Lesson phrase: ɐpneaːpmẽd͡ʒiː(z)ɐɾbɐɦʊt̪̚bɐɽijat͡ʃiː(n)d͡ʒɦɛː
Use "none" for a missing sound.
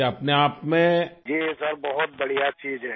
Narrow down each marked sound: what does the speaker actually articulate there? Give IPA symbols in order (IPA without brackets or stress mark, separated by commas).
s, none